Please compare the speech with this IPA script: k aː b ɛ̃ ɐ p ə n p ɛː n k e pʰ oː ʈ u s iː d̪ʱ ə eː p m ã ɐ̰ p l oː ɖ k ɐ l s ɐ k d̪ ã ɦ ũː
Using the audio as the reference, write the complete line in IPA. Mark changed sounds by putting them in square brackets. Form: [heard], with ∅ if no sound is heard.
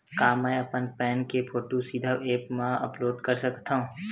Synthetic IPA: k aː [m] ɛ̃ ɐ p ə n p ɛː n k e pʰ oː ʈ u s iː d̪ʱ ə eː p m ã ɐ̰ p l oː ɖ k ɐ [ɾ] s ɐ k [t̪] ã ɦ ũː